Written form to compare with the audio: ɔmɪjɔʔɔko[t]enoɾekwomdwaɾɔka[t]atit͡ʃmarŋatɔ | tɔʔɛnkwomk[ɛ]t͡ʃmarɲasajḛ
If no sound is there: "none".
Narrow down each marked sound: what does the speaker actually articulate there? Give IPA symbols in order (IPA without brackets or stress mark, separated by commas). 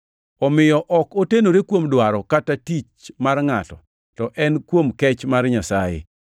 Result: t, t, ɛ